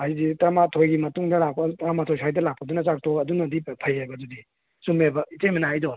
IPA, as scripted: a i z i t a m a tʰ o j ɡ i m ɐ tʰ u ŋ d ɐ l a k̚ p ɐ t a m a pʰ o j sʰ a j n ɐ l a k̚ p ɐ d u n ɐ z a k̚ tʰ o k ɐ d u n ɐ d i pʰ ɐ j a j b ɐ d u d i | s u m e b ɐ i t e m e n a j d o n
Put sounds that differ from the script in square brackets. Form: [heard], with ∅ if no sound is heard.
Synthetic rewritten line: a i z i t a m a tʰ o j ɡ i m ɐ [t] u ŋ d ɐ l a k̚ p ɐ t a m a [tʰ] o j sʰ a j [d] ɐ l a k̚ p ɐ d u n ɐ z a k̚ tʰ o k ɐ d u n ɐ d i pʰ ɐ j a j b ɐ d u d i | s u m e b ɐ i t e m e n a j d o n